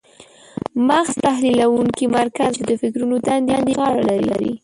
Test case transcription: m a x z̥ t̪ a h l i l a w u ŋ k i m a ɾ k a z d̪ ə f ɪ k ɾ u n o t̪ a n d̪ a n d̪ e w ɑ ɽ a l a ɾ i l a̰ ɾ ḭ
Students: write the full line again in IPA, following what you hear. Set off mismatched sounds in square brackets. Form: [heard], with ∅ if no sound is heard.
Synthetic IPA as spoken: m a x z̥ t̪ a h l i l a w u ŋ k i m a ɾ k a z d̪ ə f ɪ k ɾ u n o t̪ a n d̪ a n d̪ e [ɣ] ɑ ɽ a l a ɾ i l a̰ ɾ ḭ

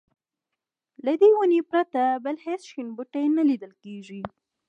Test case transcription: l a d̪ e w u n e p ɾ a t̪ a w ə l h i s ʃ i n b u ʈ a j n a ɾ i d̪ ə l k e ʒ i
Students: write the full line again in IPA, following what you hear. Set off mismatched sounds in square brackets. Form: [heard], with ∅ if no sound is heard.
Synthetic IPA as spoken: l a d̪ e w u n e p ɾ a t̪ a [b] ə l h [e] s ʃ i n b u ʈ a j n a [l] i d̪ ə l k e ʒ i

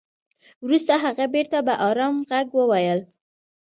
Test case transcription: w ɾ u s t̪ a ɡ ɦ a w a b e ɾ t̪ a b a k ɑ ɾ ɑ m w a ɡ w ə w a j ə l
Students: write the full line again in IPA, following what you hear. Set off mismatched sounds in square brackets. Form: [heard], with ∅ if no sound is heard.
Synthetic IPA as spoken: w ɾ u s t̪ a [∅] ɦ a [ɣ] a b e ɾ t̪ a b a [ʔ] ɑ ɾ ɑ m [ɣ] a ɡ w ə w a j ə l

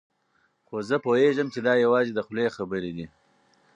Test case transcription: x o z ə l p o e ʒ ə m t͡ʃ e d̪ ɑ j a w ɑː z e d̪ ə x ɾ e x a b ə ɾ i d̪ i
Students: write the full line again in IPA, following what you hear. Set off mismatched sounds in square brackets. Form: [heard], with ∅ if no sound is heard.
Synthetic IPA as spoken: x o z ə [∅] p o e ʒ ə m t͡ʃ e d̪ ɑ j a w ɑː z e d̪ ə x [l] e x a b ə ɾ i d̪ i

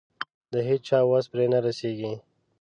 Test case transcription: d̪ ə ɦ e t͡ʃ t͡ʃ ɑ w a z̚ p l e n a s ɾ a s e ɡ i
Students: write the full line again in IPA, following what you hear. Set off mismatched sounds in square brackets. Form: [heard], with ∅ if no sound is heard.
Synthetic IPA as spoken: d̪ ə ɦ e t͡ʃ t͡ʃ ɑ w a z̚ p [ɾ] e n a [∅] ɾ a s e ɡ i

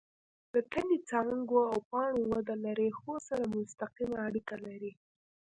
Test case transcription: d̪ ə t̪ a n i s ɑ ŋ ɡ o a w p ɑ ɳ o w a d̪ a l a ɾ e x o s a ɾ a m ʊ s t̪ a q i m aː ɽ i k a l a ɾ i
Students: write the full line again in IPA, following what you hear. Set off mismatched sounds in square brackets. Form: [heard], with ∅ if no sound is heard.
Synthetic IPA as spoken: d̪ ə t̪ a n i [t͡s] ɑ ŋ ɡ o a w p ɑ ɳ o w a d̪ a l a ɾ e x o s a ɾ a m ʊ s t̪ a q i m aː ɽ i k a l a ɾ i

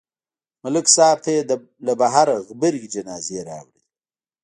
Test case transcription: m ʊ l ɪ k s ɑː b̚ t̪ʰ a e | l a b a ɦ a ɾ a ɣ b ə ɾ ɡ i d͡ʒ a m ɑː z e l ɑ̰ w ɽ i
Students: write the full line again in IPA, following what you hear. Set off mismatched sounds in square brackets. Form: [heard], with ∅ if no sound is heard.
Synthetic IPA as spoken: m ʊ l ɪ k s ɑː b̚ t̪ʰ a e | l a b a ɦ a ɾ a ɣ b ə ɾ ɡ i d͡ʒ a [n] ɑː z e [ɾ] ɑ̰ w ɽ i

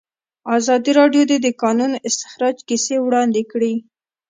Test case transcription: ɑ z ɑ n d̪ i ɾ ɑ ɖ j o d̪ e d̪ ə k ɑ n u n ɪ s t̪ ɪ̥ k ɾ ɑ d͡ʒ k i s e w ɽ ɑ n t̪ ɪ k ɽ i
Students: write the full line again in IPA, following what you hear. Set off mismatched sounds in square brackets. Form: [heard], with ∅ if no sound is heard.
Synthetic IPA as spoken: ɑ z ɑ [∅] d̪ i ɾ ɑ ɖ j o d̪ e d̪ ə k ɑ n u n ɪ s t̪ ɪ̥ [x] ɾ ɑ d͡ʒ k i s e w ɽ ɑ n [d̪] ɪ k ɽ i

